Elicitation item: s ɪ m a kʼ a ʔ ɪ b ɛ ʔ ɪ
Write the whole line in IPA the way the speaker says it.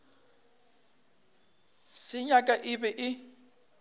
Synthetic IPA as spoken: s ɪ ɲ a kʼ a ʔ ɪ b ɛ ʔ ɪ